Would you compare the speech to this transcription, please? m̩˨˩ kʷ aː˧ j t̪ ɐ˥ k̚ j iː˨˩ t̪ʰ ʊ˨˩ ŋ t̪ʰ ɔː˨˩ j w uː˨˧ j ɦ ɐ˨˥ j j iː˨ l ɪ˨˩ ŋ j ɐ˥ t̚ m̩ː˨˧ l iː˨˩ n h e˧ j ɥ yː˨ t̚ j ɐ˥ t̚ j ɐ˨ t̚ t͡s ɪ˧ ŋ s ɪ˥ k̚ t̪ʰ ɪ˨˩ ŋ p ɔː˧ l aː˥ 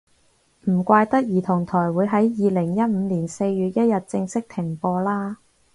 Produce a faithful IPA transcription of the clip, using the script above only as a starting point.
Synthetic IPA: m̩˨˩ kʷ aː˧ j t̪ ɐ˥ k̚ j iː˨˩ t̪ʰ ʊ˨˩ ŋ t̪ʰ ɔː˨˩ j w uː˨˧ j ɦ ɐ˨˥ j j iː˨ l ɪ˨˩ ŋ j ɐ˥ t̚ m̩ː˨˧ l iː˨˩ n s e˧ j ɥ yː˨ t̚ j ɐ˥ t̚ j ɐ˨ t̚ t͡s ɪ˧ ŋ s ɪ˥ k̚ t̪ʰ ɪ˨˩ ŋ p ɔː˧ l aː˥

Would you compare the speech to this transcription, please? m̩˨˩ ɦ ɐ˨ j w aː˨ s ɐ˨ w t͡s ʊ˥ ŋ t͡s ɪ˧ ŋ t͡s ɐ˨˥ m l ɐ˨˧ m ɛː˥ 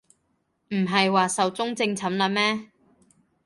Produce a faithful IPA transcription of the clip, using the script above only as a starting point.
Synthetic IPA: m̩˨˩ ɦ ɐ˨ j w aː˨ s ɐ˨ w t͡s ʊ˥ ŋ t͡s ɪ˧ ŋ t͡sʰ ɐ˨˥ m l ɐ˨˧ m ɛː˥

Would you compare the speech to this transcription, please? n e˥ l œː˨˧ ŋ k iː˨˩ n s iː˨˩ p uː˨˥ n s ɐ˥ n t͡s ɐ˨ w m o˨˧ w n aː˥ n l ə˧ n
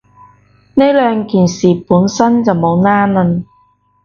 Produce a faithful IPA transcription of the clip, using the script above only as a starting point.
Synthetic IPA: n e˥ l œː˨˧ ŋ k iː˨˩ n s iː˨˩ p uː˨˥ n s ɐ˥ n t͡s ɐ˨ w m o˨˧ w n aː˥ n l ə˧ n

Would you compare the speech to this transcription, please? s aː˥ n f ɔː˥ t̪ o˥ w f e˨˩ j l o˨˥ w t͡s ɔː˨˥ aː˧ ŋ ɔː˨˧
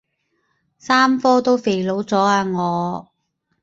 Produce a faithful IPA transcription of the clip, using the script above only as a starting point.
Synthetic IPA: s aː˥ m f ɔː˥ t̪ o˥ w f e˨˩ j l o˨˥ w t͡s ɔː˨˥ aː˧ ŋ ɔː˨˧

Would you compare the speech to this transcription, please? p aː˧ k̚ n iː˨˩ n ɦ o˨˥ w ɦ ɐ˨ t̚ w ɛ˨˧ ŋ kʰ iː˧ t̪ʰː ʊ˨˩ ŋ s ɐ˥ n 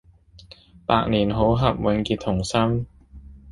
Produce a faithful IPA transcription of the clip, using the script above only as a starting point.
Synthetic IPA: p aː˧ k̚ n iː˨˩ n ɦ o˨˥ w ɦ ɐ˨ p̚ w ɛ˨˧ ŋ k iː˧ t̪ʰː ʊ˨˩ ŋ s ɐ˥ m

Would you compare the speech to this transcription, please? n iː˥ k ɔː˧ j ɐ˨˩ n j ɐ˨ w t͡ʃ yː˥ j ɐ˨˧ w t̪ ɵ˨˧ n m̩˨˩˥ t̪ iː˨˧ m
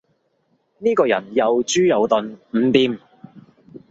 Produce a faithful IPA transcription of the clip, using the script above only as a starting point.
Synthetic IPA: n iː˥ k ɔː˧ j ɐ˨˩ n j ɐ˨ w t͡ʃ yː˥ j ɐ˨˧ w t̪ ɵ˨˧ n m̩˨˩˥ t̪ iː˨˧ m

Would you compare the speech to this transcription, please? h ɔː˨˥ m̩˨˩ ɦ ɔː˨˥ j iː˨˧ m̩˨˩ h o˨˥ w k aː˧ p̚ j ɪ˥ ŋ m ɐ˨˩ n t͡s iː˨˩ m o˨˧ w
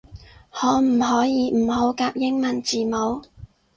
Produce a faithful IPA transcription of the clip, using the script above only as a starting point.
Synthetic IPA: h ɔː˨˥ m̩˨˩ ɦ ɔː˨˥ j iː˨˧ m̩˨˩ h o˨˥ w k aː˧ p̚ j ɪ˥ ŋ m ɐ˨˩ n t͡s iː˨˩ m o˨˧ w

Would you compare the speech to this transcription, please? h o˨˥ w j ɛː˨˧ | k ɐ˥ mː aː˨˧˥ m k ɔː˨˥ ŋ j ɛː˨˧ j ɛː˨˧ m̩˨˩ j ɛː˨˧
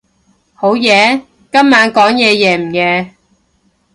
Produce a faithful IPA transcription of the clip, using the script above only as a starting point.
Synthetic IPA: h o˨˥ w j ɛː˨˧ | k ɐ˥ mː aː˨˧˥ n k ɔː˨˥ ŋ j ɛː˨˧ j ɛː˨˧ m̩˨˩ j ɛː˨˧

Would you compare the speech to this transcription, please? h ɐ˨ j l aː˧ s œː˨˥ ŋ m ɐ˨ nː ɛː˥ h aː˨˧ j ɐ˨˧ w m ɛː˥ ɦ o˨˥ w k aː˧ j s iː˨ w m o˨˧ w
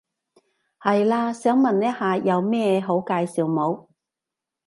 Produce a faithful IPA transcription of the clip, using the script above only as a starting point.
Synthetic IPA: h ɐ˨ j l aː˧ s œː˨˥ ŋ m ɐ˨ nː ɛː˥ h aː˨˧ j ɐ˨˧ w m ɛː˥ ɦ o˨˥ w k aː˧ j s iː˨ w m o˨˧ w

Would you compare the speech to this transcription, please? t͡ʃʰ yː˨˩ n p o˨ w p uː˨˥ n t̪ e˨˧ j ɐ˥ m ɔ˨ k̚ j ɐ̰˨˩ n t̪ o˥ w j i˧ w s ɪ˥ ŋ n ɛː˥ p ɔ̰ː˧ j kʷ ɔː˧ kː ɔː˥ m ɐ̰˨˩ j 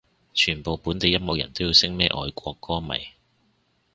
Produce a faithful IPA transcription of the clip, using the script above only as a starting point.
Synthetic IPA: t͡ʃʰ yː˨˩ n p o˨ w p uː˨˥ n t̪ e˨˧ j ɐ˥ m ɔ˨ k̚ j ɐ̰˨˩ n t̪ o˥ w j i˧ w s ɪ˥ ŋ m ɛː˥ ʔ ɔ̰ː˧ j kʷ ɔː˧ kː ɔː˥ m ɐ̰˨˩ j

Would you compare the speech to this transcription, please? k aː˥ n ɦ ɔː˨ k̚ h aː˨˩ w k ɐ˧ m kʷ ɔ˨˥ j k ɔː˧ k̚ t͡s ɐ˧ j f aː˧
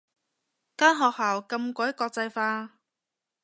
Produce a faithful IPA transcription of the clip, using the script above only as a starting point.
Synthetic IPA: k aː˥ n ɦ ɔː˨ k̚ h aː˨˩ w k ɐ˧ m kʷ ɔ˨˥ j k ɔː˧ k̚ t͡s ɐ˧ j f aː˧

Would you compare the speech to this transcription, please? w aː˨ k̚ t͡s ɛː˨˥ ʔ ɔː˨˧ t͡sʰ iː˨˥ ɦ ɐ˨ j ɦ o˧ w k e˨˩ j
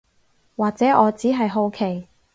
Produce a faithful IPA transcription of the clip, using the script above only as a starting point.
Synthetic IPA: w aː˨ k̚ t͡s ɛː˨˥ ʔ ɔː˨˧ t͡s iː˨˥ ɦ ɐ˨ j ɦ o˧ w kʰ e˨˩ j

